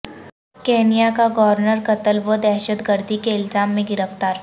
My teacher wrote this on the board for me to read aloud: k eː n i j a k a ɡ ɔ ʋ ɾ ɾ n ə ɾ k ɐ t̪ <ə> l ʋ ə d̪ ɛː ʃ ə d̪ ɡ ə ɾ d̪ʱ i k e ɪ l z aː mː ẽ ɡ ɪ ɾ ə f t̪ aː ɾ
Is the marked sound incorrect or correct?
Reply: correct